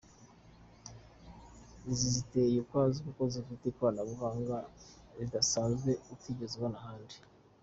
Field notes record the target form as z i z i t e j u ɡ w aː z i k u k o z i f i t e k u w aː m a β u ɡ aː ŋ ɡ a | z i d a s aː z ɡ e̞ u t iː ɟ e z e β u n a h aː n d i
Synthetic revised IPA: z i z i t e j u k w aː z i k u k o z i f i t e k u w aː n a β u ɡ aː ŋ ɡ a | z i d a s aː z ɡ e̞ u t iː ɟ e z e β o n a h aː n d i